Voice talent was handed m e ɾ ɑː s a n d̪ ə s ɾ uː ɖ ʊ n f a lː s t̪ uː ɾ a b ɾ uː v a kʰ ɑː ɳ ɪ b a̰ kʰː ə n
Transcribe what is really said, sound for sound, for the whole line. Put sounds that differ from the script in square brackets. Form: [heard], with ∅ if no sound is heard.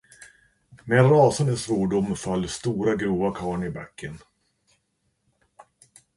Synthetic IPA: m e ɾ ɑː s a n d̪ ə s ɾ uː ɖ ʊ [m] f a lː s t̪ uː ɾ a [ɡ] ɾ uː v a kʰ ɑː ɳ ɪ b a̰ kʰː ə n